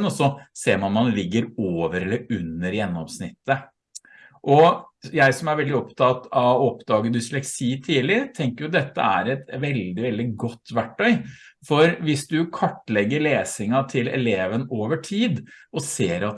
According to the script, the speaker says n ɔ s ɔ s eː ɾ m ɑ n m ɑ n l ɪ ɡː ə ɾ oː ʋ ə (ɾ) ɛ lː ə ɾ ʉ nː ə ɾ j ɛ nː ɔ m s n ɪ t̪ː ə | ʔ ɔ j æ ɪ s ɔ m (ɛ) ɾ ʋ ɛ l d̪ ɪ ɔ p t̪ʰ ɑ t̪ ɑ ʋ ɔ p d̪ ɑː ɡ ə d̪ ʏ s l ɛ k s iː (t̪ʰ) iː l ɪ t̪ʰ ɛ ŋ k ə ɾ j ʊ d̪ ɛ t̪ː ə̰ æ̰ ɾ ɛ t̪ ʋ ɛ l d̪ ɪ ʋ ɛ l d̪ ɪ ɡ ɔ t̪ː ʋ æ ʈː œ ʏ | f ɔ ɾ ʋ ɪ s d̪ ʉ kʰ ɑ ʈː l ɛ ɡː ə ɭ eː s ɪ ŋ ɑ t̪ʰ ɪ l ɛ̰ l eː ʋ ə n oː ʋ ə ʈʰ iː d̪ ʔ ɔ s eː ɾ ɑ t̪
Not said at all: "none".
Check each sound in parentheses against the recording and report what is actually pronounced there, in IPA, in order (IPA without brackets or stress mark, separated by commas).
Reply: ɾ, æ, t̪ʰ